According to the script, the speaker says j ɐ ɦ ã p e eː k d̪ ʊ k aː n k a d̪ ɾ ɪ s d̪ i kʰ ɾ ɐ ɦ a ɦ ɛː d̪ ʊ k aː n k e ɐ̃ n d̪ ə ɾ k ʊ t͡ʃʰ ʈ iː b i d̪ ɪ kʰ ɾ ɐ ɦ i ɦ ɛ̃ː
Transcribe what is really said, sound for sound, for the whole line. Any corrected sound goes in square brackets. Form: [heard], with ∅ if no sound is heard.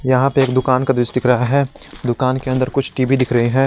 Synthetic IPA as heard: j ɐ ɦ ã p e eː k d̪ ʊ k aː n k a d̪ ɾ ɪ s d̪ [ɪ] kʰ ɾ ɐ ɦ a ɦ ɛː d̪ ʊ k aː n k e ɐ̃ n d̪ ə ɾ k ʊ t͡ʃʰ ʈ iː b i d̪ ɪ kʰ ɾ ɐ ɦ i ɦ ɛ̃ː